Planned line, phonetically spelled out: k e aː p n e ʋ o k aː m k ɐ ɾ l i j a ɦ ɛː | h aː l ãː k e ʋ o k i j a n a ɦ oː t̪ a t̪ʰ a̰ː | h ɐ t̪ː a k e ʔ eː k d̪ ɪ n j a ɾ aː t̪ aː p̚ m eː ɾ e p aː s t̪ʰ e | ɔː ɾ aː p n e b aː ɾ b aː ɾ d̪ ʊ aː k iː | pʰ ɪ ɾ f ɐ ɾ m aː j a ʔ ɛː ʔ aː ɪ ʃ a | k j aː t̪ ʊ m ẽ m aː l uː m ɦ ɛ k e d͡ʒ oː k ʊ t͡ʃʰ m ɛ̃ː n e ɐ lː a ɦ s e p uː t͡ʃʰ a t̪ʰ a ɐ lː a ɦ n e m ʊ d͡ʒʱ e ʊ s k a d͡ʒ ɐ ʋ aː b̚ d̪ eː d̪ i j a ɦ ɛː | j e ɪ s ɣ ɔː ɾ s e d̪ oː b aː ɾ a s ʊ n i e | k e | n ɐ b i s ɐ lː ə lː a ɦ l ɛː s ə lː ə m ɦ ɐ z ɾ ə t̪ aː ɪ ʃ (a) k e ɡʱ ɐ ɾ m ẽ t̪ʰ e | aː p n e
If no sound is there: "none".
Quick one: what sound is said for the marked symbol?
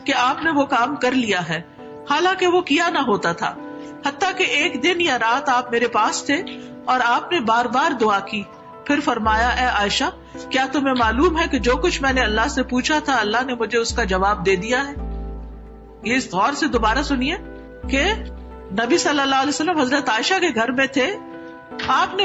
a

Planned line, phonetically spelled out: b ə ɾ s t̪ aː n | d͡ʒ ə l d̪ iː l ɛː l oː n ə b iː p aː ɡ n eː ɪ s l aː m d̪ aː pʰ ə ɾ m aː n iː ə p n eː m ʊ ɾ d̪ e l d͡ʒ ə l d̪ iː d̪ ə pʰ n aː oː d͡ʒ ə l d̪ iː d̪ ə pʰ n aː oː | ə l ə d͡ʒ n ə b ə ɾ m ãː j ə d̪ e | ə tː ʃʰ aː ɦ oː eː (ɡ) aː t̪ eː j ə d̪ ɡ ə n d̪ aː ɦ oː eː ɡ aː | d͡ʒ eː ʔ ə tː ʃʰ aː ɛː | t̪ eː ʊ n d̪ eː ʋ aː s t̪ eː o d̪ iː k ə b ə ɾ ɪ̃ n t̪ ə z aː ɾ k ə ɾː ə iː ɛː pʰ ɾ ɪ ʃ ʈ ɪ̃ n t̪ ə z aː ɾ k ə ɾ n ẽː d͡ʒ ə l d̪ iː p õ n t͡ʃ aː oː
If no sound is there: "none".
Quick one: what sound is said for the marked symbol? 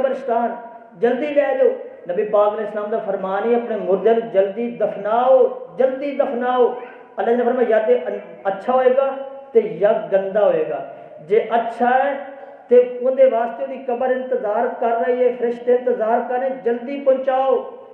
ɡ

